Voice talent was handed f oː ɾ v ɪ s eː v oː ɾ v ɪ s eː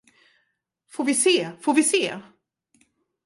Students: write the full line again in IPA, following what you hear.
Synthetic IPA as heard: f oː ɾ v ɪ s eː f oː ɾ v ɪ s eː